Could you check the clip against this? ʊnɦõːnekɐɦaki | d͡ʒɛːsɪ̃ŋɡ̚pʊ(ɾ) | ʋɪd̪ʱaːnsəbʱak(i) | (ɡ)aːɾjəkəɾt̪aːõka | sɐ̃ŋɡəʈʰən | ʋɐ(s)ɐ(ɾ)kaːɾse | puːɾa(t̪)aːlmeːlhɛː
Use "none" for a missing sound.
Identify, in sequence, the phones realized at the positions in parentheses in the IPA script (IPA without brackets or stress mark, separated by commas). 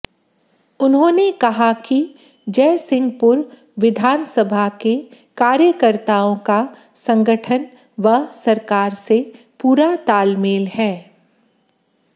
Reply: ɾ, e, k, s, ɾ, t̪